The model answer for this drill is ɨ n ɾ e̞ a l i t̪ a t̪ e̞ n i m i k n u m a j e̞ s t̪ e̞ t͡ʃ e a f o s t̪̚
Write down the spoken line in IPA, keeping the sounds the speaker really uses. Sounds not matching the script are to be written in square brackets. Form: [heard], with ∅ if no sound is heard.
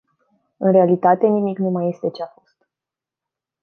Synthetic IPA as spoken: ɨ n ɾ e̞ a l i t̪ a t̪ e̞ n i m i k n u m a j e̞ s t̪ e̞ t͡ʃ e a f o s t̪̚